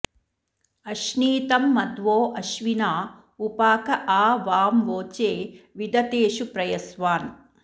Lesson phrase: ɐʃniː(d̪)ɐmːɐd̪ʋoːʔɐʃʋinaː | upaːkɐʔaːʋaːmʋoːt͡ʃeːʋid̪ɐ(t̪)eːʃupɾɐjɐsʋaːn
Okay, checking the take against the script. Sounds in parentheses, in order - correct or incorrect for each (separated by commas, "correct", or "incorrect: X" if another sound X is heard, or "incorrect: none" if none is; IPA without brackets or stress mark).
incorrect: t̪, correct